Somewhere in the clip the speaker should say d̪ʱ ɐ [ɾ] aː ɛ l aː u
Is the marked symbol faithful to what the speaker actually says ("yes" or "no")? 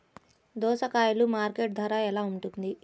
yes